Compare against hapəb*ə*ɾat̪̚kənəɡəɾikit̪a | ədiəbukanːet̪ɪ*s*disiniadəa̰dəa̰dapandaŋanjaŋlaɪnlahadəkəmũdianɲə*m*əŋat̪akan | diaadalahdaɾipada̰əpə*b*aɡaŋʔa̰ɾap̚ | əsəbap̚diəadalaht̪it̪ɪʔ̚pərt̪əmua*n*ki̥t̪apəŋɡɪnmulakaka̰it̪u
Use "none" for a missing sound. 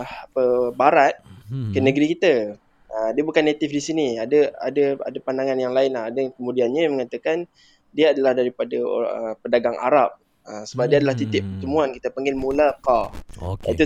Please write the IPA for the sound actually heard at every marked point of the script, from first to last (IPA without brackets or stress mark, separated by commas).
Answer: a, f, m, d, n